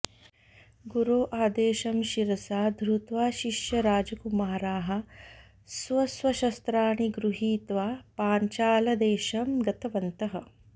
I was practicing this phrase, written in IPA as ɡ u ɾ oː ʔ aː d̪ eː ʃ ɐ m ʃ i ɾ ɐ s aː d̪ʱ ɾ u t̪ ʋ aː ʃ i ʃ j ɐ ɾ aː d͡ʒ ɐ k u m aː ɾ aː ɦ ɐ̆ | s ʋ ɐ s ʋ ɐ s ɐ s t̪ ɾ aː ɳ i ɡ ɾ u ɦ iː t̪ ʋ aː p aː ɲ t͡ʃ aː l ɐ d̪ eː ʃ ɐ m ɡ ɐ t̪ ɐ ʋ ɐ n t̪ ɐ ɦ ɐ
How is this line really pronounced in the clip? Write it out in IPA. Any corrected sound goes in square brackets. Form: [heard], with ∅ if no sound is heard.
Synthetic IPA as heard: ɡ u ɾ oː ʔ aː d̪ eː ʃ ɐ m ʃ i ɾ ɐ s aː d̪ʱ ɾ u t̪ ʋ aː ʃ i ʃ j ɐ ɾ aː d͡ʒ ɐ k u m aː ɾ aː ɦ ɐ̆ | s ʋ ɐ s ʋ ɐ [ʃ] ɐ s t̪ ɾ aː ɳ i ɡ ɾ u ɦ iː t̪ ʋ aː p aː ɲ t͡ʃ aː l ɐ d̪ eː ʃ ɐ m ɡ ɐ t̪ ɐ ʋ ɐ n t̪ ɐ ɦ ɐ